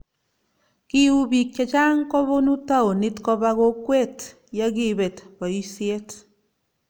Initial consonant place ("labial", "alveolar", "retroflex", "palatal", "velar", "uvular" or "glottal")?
velar